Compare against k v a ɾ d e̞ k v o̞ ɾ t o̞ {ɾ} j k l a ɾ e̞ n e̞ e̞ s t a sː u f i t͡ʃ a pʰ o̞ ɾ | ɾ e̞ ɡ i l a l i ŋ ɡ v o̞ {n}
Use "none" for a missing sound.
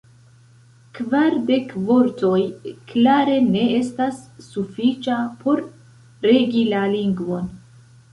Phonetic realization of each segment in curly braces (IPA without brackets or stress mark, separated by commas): none, n